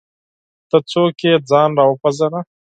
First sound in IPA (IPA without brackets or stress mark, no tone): t̪